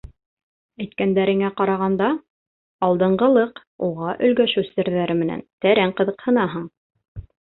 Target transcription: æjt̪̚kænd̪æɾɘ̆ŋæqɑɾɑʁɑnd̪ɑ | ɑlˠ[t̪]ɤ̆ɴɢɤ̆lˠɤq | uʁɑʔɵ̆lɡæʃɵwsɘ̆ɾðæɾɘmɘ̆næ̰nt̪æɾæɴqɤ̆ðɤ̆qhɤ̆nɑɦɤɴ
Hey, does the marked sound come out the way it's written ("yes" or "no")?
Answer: no